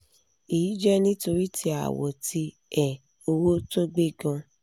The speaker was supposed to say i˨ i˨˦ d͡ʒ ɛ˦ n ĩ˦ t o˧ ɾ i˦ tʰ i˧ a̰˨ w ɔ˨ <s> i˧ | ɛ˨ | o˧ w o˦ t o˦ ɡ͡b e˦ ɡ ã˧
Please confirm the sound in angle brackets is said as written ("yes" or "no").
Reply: no